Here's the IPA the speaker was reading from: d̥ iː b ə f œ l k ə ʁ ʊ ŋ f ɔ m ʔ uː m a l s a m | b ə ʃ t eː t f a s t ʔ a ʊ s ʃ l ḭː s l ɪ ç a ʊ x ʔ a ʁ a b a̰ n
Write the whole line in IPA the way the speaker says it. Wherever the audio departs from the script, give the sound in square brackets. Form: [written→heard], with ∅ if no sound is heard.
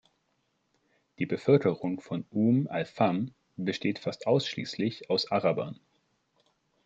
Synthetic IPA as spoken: d̥ iː b ə f œ l k ə ʁ ʊ ŋ f ɔ [m→n] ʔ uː m a l [s→f] a m | b ə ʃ t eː t f a s t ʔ a ʊ s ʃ l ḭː s l ɪ ç a ʊ [x→s] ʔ a ʁ a b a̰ n